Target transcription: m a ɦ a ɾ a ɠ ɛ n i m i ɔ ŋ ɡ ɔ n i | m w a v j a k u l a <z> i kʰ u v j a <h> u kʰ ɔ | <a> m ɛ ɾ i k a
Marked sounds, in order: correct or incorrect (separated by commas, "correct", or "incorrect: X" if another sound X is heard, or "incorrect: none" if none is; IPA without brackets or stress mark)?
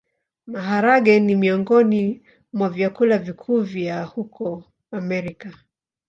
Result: incorrect: v, correct, correct